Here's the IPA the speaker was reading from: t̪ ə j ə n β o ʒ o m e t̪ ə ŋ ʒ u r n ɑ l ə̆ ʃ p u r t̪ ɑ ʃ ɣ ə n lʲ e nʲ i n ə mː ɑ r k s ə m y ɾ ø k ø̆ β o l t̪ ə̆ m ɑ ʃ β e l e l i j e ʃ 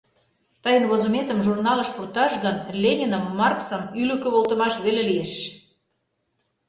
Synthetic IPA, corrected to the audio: t̪ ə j ə n β o z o m e t̪ ə m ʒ u r n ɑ l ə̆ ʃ p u r t̪ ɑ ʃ ɣ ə n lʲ e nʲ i n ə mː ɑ r k s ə m y l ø k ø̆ β o l t̪ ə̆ m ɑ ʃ β e l e l i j e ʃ